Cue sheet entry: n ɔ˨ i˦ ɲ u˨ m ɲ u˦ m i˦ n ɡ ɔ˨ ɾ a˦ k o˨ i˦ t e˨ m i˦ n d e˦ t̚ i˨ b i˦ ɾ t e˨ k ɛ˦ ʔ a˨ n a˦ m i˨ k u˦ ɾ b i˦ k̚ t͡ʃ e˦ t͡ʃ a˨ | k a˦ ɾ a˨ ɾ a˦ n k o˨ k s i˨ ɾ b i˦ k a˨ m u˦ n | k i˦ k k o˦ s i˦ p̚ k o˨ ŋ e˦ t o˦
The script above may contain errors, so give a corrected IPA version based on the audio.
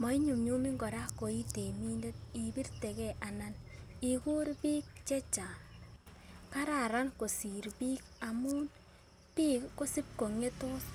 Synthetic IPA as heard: m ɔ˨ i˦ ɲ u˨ m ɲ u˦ m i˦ ŋ ɡ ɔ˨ ɾ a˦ k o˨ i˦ t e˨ m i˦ n d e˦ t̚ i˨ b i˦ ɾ t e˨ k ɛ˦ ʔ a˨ n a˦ n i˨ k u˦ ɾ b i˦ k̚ t͡ʃ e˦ t͡ʃ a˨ | k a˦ ɾ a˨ ɾ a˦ n k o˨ s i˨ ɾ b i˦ k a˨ m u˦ n | p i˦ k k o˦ s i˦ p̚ k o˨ ŋ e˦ t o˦